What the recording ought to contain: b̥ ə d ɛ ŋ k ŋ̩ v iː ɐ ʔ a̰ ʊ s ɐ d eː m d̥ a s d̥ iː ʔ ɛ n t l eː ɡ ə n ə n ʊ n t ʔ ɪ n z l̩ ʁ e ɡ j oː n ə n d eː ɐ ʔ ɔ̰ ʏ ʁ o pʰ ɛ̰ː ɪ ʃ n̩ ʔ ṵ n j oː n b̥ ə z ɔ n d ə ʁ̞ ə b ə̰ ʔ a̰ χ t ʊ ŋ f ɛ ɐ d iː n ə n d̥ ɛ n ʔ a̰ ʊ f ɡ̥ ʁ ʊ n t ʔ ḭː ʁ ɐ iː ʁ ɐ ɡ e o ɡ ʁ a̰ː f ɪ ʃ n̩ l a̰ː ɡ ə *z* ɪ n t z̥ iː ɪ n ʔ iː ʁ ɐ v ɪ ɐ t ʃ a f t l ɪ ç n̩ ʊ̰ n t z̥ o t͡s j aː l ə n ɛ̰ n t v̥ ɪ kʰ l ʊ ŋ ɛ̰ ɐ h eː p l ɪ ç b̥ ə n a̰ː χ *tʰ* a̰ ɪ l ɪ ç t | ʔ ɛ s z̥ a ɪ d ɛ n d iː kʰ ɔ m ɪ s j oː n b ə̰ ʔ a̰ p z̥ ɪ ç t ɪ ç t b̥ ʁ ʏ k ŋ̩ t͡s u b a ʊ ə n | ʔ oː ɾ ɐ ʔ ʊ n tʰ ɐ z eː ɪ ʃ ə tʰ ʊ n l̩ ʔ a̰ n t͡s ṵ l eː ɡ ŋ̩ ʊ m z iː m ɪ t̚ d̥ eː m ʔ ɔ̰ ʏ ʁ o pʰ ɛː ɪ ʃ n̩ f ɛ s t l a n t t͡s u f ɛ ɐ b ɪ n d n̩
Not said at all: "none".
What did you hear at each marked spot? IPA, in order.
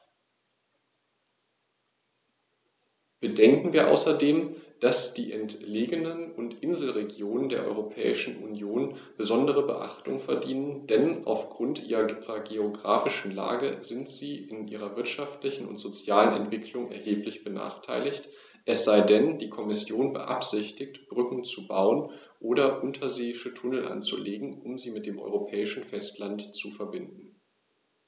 z, tʰ

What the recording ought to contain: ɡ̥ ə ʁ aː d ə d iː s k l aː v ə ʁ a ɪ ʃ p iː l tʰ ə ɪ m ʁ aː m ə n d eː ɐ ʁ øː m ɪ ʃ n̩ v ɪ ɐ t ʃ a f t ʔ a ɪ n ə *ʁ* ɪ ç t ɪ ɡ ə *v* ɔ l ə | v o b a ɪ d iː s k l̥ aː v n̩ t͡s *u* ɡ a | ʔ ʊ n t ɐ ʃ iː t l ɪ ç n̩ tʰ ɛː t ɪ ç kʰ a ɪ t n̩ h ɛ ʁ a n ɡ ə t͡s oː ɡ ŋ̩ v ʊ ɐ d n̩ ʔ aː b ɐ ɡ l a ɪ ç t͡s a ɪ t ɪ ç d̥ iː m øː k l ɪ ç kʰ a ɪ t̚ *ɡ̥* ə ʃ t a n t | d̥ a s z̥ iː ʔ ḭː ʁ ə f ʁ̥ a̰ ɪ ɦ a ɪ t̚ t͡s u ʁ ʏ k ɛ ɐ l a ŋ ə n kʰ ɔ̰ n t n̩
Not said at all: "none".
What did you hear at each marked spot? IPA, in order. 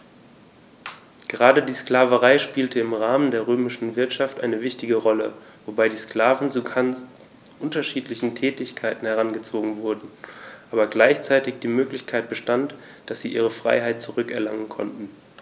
v, ʁ, u, b̥

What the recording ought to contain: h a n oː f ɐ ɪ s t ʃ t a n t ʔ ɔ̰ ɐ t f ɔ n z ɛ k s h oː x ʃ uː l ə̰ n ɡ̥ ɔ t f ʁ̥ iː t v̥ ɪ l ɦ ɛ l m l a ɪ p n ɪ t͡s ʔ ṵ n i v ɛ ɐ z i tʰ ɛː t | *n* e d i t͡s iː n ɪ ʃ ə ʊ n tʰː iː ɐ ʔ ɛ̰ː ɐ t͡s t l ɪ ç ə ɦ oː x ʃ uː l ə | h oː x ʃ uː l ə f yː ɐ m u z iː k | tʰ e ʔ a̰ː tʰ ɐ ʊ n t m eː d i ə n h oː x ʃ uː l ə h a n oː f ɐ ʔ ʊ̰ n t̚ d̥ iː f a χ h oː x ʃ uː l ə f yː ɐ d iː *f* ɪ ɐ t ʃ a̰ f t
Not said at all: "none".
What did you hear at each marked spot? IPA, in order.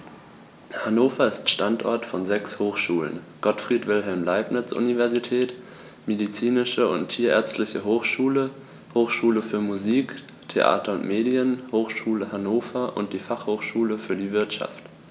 m, v

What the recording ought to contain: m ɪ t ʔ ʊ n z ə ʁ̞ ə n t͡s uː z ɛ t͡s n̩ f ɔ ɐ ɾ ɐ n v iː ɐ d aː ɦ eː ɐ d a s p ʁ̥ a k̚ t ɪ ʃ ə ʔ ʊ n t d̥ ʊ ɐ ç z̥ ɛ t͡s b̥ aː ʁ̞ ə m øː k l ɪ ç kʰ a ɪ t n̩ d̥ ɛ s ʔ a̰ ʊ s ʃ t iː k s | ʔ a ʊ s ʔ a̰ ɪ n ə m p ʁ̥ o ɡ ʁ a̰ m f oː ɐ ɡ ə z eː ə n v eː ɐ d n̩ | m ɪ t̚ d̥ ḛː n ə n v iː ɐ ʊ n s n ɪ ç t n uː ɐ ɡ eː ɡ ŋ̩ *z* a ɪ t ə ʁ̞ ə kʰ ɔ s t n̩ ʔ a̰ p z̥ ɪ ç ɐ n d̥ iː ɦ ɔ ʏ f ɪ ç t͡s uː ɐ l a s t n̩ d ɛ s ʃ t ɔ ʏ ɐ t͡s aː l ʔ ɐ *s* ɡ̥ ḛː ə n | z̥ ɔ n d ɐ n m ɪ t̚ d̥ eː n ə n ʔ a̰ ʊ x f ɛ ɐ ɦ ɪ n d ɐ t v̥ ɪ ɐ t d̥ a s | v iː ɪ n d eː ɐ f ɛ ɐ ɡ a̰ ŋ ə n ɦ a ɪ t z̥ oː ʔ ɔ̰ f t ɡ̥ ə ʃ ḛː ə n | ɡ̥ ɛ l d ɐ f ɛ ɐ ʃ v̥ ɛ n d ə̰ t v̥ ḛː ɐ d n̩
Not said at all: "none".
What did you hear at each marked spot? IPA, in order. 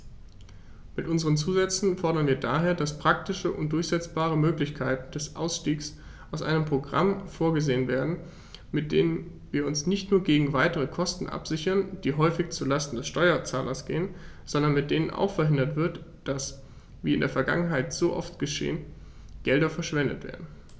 v, s

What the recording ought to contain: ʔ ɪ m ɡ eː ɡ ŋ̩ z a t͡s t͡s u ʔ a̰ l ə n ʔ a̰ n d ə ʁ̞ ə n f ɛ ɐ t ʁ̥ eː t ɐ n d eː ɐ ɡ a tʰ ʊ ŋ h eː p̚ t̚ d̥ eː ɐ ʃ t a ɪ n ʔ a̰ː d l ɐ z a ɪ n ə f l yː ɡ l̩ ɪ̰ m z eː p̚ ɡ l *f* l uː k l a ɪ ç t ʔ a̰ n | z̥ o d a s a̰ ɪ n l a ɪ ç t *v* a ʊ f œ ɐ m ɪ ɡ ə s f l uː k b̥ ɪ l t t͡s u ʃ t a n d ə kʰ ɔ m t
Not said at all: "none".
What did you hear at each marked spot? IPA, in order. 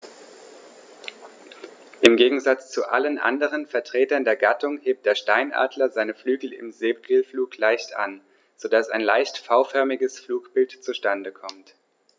f, f

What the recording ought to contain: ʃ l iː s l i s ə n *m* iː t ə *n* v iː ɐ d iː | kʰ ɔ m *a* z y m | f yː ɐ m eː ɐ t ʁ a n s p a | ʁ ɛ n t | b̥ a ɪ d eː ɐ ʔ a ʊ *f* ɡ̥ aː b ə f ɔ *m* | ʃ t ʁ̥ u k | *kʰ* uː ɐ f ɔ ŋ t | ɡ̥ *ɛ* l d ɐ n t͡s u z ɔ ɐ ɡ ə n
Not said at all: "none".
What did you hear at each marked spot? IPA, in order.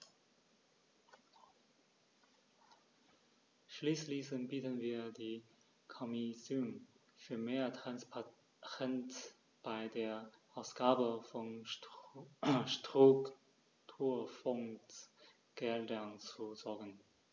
b, n, i, s, n, tʰ, ɛ

